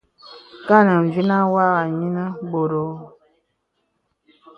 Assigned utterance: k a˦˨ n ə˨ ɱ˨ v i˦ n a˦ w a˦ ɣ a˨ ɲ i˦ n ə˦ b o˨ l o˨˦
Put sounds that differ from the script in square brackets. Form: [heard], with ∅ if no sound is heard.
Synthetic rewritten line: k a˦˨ n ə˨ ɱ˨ v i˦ n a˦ w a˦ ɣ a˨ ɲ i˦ n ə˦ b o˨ [ɾ] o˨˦